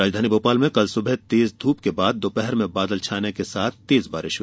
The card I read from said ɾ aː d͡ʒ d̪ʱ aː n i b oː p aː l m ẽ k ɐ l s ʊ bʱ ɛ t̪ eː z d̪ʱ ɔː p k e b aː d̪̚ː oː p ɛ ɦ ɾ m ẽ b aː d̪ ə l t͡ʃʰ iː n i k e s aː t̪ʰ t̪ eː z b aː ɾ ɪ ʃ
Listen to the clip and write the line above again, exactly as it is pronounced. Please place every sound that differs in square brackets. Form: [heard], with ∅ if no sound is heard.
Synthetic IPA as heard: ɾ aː d͡ʒ d̪ʱ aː n i b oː p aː l m ẽ k ɐ l s ʊ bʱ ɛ t̪ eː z d̪ʱ [uː] p k e b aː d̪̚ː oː p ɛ ɦ ɾ m ẽ b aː d̪ ə l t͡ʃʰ [aː] n [e] k e s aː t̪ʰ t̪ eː z b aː ɾ ɪ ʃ